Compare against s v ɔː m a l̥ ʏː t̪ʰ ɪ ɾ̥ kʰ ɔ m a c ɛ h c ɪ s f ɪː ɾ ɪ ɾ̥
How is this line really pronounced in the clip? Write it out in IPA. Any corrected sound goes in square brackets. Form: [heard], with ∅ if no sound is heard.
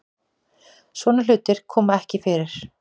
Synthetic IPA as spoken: s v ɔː [n] a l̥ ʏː [t̪] ɪ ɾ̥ kʰ [ɔː] m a [∅] ɛ h c ɪ [∅] f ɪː ɾ ɪ ɾ̥